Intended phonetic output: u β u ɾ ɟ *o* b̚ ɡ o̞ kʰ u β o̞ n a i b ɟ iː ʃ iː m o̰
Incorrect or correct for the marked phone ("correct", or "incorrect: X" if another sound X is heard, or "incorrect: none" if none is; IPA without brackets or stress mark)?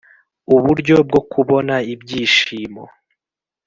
correct